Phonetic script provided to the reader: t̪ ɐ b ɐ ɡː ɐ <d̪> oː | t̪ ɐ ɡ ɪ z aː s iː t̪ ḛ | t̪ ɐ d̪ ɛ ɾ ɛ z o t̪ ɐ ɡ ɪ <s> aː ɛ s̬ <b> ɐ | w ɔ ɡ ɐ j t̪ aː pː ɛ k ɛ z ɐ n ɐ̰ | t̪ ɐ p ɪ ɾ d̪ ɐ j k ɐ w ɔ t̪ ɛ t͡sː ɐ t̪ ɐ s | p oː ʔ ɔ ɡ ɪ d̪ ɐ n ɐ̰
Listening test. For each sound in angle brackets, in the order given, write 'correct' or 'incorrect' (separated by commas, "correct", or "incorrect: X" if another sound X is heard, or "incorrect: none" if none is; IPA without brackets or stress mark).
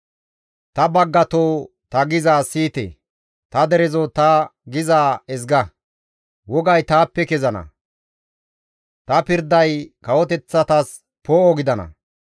incorrect: t̪, incorrect: z, incorrect: ɡ